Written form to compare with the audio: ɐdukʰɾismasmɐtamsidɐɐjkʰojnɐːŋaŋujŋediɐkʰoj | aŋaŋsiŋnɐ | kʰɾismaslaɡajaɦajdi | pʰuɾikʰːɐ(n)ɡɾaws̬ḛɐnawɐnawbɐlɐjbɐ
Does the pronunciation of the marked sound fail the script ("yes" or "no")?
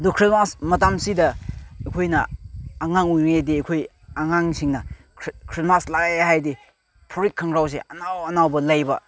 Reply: yes